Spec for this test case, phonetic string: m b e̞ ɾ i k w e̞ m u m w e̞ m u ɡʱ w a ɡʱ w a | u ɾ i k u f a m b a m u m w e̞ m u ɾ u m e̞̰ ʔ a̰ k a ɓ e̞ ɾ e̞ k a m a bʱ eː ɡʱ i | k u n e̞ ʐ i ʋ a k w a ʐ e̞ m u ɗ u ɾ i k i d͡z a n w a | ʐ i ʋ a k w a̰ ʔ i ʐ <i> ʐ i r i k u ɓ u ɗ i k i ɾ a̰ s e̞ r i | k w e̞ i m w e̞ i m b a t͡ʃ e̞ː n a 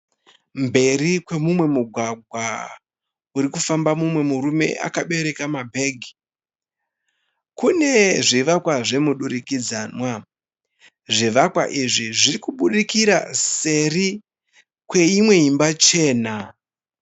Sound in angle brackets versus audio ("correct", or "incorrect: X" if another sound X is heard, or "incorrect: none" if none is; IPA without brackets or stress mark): correct